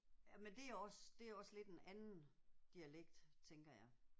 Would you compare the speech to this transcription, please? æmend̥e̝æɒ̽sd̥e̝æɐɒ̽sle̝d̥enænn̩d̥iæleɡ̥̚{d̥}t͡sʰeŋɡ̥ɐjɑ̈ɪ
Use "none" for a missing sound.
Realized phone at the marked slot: d̥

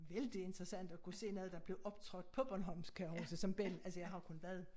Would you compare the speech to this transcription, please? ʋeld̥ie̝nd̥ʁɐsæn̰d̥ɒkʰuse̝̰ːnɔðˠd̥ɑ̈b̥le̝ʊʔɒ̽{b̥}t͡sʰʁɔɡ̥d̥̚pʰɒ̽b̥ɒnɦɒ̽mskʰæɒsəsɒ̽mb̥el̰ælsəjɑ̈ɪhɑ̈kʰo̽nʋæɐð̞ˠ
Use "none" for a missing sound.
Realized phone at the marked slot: b̥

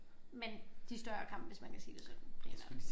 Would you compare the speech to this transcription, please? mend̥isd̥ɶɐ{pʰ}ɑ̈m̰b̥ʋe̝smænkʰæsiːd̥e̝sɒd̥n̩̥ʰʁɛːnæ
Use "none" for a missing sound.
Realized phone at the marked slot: kʰ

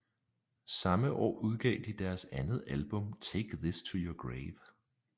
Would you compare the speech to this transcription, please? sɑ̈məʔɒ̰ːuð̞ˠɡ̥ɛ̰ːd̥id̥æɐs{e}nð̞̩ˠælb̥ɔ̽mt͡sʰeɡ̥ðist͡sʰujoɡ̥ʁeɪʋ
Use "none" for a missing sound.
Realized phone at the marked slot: æ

